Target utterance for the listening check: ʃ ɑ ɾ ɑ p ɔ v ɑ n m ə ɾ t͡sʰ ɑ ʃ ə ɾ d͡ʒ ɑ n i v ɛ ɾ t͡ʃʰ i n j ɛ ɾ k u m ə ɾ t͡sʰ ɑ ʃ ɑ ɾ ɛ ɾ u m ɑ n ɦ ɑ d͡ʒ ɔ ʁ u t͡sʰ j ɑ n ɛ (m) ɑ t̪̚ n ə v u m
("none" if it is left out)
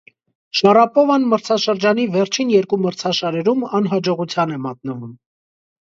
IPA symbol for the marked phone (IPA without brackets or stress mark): m